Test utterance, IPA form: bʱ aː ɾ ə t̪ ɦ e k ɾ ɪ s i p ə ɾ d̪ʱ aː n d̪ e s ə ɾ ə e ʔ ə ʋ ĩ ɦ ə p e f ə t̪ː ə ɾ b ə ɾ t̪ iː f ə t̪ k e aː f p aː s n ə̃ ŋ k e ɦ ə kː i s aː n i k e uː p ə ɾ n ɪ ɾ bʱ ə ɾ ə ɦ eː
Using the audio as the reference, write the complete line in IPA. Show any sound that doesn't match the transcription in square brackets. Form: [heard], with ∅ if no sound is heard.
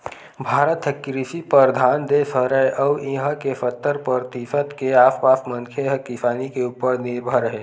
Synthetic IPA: bʱ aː ɾ ə t̪ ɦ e k ɾ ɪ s i p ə ɾ d̪ʱ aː n d̪ e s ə ɾ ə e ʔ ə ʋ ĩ ɦ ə [k] e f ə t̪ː ə ɾ [p] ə ɾ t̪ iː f ə t̪ k e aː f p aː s [m] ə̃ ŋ [kʰ] e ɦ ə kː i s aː n i k e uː p ə ɾ n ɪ ɾ bʱ ə ɾ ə ɦ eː